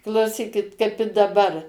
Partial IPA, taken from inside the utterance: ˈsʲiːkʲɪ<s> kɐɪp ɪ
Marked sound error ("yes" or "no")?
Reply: yes